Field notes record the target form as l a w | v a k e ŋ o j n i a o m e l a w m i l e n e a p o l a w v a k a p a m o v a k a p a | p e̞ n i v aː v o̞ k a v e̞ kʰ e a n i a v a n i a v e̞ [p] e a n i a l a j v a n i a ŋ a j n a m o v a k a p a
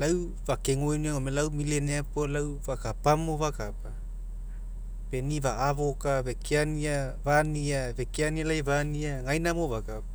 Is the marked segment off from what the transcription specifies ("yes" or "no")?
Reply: yes